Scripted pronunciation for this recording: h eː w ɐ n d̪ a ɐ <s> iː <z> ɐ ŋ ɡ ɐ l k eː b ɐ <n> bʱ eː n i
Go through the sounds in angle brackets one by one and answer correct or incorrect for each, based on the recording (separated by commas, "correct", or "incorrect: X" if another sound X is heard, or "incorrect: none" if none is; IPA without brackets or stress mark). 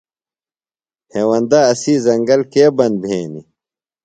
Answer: correct, correct, correct